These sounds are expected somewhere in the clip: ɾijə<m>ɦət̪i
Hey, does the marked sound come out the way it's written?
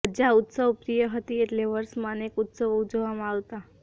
no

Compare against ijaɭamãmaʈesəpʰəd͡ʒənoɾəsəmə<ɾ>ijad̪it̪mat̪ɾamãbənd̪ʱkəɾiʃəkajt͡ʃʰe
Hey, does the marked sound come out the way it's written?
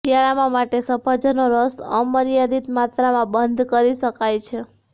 yes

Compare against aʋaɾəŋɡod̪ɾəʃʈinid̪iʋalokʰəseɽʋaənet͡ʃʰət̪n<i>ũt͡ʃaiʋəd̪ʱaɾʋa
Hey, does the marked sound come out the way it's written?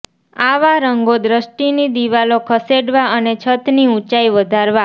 yes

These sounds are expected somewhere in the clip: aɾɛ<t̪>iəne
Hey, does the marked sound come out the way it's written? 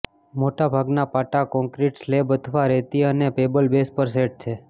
yes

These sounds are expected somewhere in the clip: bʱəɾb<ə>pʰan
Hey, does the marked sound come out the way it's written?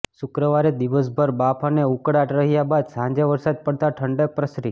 no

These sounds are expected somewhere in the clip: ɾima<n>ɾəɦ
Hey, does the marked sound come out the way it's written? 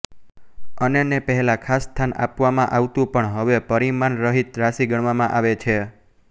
yes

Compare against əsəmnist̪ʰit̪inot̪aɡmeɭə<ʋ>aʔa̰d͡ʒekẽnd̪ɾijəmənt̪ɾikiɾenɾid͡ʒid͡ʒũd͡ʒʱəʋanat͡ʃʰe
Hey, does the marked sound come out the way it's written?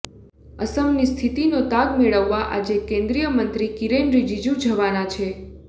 no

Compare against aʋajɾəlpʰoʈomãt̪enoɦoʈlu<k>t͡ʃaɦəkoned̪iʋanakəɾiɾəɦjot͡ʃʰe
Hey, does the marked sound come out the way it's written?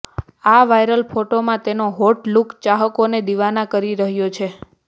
yes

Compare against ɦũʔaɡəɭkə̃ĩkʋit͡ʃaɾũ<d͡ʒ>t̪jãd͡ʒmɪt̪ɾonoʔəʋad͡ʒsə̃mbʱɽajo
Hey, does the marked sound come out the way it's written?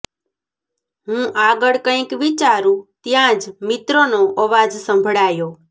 no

